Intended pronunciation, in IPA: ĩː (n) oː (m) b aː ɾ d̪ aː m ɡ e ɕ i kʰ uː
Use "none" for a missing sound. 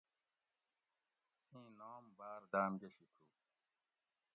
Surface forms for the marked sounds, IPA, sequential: n, m

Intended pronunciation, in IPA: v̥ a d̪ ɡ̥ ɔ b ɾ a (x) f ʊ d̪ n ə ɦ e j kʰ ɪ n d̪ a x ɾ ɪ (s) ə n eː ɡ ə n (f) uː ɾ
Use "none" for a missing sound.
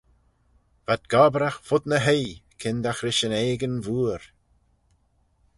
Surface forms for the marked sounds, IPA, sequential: x, ʃ, v

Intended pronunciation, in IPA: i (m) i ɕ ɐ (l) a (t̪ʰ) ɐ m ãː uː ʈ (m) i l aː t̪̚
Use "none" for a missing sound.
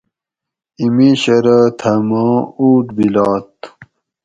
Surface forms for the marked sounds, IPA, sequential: m, ɾ, t̪ʰ, b

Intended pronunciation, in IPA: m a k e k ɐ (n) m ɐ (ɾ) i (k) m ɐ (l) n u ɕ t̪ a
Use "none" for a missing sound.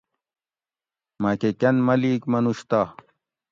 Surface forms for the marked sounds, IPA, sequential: n, l, k, none

